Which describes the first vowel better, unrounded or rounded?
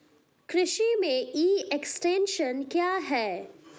unrounded